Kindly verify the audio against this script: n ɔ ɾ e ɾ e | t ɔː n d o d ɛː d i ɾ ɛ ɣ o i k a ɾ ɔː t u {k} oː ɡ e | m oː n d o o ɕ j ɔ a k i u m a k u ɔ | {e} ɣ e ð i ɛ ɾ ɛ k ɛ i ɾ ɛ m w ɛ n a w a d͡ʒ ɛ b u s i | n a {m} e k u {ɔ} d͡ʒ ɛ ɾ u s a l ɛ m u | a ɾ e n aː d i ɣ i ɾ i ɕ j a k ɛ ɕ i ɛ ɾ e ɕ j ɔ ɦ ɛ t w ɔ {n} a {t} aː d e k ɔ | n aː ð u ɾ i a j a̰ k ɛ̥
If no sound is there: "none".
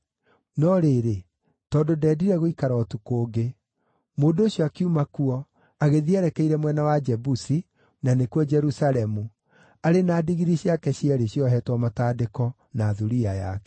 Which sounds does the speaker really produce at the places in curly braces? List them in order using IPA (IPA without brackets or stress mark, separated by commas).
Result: k, a, n, ɔ, m, t